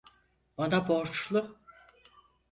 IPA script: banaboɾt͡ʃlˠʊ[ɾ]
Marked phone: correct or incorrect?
incorrect